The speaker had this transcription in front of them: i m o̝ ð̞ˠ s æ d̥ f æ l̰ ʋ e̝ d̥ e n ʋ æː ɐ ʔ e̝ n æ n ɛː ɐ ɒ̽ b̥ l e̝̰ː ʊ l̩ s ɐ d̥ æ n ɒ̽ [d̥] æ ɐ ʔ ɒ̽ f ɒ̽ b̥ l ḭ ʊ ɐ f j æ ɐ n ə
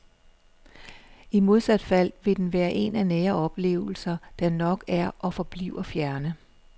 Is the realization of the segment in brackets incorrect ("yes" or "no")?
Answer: yes